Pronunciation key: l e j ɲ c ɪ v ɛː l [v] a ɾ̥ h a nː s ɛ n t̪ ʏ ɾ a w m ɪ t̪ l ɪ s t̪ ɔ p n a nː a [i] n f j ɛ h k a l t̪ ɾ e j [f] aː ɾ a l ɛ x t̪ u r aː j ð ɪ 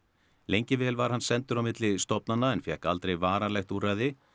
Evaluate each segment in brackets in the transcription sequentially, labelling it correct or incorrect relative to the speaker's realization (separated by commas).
correct, incorrect, incorrect